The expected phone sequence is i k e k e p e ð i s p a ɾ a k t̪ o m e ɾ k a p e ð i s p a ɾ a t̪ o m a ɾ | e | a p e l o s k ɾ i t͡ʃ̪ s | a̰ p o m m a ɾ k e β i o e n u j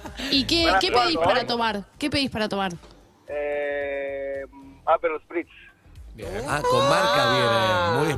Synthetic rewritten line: i k e k e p e ð i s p a ɾ a t̪ o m a ɾ k e p e ð i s p a ɾ a t̪ o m a ɾ | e | a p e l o s p ɾ i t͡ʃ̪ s | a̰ k o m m a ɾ k a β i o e m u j